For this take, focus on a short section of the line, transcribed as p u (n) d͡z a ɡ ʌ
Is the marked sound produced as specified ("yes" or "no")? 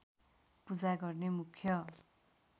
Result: no